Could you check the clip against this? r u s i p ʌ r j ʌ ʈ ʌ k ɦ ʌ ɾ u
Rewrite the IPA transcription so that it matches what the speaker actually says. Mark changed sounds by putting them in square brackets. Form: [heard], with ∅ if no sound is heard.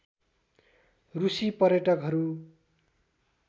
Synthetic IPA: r u s i p ʌ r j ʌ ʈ ʌ k ɦ ʌ ɾ u